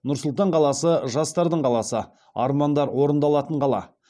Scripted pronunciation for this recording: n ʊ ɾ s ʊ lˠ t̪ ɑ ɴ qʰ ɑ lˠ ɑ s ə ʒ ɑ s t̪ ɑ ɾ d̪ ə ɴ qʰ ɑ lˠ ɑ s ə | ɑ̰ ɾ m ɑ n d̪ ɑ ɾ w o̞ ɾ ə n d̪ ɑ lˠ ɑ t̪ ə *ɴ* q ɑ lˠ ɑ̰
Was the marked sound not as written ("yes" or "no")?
no